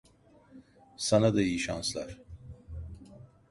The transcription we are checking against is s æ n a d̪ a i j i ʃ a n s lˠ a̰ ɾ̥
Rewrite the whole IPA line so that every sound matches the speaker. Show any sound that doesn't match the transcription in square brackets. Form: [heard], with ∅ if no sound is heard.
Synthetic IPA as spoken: s [a] n a d̪ a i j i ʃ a n s lˠ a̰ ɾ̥

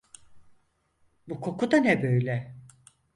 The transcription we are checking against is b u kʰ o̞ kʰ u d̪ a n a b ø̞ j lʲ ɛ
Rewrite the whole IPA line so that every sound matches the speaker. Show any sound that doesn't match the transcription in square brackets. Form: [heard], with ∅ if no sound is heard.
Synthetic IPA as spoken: b u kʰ o̞ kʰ u d̪ a n [ɛ] b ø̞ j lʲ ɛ

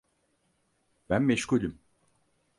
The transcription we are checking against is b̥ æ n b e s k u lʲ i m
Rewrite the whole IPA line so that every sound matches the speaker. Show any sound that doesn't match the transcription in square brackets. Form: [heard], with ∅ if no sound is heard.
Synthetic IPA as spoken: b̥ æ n [m] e [ʃ] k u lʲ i m

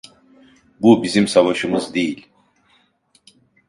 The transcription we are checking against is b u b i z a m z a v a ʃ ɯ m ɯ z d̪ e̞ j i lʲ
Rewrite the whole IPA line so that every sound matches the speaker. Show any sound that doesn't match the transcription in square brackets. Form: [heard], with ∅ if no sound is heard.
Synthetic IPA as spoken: b u b i z [i] m [s] a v a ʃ ɯ m ɯ z d̪ e̞ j i lʲ

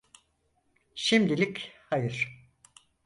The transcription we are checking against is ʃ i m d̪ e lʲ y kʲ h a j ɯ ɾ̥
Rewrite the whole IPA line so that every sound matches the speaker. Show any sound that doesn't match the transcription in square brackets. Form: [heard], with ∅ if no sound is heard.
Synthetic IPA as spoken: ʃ i m d̪ [i] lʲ [i] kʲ h a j ɯ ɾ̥

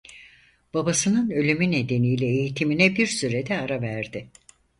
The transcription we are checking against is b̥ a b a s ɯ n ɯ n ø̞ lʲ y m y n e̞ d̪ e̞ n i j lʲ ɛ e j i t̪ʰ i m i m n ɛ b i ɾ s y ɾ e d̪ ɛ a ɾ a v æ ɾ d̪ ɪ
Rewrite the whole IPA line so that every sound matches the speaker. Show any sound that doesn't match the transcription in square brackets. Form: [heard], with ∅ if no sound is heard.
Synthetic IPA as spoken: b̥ a b a s ɯ n ɯ n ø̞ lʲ y m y n e̞ d̪ e̞ n i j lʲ ɛ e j i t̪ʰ i m i [∅] n ɛ b i ɾ s y ɾ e d̪ ɛ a ɾ a v æ ɾ d̪ ɪ

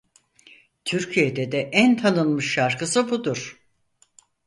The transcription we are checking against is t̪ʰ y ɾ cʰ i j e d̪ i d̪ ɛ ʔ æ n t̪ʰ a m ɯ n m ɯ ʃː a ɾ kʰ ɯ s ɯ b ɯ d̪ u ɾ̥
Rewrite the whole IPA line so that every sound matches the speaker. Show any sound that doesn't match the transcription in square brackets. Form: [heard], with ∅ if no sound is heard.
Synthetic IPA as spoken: t̪ʰ y ɾ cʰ i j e d̪ [ɛ] d̪ ɛ ʔ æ n t̪ʰ a [n] ɯ n m ɯ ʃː a ɾ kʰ ɯ s ɯ b [u] d̪ u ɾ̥

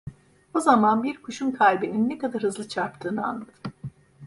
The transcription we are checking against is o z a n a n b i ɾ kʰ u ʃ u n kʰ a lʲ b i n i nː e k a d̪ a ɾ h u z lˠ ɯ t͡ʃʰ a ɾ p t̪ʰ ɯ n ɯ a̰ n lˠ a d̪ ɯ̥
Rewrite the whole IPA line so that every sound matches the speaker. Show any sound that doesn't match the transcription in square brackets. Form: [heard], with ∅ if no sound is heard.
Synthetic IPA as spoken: o z a [m] a n b i ɾ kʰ u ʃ u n kʰ a lʲ b i n i nː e k a d̪ a ɾ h [ɯ] z lˠ ɯ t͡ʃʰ a ɾ p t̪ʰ [ɯː] n ɯ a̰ n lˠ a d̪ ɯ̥

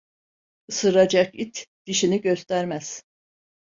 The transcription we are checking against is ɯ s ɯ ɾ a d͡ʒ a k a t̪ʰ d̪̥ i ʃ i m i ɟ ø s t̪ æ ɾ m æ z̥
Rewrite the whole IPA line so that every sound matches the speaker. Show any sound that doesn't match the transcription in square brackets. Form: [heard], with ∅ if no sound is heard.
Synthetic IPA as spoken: ɯ s ɯ ɾ a d͡ʒ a k [i] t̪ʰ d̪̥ i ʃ i [n] i ɟ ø s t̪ æ ɾ m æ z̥

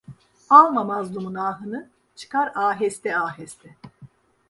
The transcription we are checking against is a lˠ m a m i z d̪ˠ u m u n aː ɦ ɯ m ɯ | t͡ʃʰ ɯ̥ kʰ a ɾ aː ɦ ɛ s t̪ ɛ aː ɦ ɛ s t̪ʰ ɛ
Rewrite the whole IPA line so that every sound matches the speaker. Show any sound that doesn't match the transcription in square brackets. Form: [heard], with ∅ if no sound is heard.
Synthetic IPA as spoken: a lˠ m a m [a] z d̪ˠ u m u n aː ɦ ɯ [n] ɯ | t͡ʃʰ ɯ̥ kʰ a ɾ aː ɦ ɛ s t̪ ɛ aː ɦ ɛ s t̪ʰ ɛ

